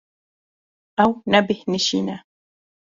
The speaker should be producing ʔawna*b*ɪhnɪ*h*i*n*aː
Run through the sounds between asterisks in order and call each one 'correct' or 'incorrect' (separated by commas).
correct, incorrect, correct